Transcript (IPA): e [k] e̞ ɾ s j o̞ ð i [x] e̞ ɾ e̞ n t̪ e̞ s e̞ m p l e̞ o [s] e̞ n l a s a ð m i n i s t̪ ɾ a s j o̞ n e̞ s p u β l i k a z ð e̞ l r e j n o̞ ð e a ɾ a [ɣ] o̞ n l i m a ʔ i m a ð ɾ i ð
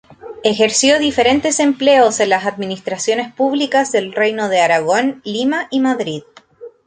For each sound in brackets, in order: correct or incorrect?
incorrect, incorrect, correct, correct

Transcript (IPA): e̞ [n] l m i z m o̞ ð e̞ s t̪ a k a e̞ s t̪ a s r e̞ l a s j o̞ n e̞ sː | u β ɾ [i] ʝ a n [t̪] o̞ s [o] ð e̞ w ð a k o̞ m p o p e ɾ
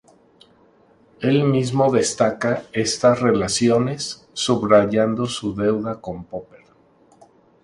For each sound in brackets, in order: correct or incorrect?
incorrect, incorrect, incorrect, incorrect

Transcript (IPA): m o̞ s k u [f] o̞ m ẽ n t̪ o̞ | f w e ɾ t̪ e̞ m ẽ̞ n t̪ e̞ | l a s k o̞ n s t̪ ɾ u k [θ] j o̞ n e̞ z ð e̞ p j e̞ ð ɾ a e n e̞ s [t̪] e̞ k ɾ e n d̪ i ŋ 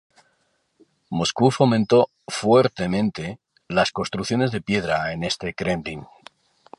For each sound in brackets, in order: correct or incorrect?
correct, correct, correct

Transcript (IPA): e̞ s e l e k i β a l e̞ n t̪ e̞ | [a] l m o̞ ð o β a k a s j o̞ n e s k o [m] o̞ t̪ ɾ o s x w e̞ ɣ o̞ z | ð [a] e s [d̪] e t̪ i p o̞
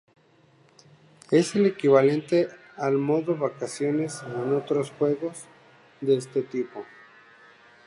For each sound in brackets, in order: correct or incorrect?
correct, incorrect, incorrect, incorrect

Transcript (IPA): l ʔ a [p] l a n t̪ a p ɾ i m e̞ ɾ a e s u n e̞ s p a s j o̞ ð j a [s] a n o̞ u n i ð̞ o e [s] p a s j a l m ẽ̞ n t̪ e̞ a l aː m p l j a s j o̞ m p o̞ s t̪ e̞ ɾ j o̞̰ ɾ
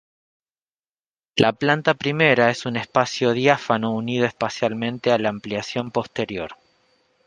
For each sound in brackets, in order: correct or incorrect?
correct, incorrect, correct

